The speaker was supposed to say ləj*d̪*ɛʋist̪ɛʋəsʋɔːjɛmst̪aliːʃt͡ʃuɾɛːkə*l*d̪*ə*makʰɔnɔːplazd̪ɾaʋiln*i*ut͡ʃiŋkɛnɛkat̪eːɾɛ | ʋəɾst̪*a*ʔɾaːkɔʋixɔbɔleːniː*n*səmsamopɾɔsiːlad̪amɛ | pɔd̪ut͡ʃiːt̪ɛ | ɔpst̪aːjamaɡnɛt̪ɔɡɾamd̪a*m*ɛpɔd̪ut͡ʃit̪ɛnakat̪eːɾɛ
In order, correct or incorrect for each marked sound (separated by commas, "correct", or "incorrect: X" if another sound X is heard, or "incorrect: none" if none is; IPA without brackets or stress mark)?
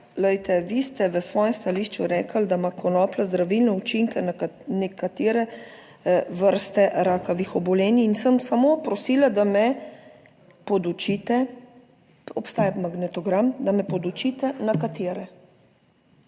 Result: incorrect: t̪, correct, incorrect: a, incorrect: ɛ, incorrect: ɛ, correct, correct